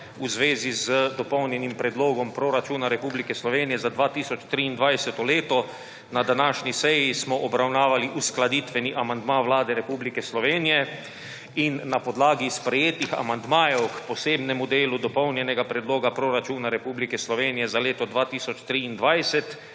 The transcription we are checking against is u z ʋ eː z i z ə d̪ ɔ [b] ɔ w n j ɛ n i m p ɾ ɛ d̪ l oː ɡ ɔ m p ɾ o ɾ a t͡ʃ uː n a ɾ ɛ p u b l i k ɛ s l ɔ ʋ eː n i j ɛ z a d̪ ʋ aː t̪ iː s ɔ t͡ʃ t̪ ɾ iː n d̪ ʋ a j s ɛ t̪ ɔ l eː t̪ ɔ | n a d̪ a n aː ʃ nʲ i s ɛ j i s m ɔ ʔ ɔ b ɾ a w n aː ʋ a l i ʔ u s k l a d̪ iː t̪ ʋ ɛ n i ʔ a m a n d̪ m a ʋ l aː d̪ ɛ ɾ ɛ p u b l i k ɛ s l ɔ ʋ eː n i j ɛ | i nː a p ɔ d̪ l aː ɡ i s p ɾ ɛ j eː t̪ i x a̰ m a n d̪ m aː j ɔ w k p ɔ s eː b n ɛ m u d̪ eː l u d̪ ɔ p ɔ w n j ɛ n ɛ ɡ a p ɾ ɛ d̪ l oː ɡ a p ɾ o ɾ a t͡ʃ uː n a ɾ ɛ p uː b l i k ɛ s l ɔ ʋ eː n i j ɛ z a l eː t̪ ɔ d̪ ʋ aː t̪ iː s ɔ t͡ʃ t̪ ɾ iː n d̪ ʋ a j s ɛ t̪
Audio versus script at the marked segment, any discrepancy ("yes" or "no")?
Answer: yes